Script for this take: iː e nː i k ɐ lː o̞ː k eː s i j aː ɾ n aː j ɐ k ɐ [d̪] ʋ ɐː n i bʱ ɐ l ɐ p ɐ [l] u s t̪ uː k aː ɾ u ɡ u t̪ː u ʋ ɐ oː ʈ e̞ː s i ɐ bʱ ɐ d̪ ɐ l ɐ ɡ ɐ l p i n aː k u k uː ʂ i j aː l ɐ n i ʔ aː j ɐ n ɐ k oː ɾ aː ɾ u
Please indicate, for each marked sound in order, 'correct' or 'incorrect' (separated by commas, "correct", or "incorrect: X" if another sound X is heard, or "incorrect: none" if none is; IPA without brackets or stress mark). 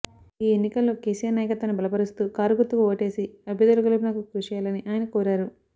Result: incorrect: t̪, incorrect: ɾ